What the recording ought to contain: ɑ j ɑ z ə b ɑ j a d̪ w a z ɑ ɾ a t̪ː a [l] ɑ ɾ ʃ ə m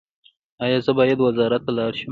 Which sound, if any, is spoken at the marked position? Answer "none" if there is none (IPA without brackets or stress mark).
l